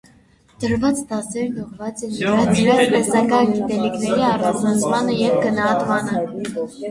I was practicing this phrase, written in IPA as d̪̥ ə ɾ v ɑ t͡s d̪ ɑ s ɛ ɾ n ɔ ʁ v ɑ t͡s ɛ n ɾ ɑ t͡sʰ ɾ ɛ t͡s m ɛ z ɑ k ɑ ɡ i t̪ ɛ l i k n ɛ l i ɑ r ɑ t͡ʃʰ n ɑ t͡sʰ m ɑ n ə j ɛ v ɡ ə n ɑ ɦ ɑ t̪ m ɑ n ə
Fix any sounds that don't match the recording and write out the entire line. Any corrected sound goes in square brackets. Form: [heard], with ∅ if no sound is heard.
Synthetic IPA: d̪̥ ə ɾ v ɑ t͡s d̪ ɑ s ɛ ɾ n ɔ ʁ v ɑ t͡s ɛ n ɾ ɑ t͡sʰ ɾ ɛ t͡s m ɛ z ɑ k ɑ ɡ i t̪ ɛ l i k n ɛ [ɾ] i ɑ r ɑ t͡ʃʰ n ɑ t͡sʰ m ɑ n ə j ɛ v ɡ ə n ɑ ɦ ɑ t̪ m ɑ n ə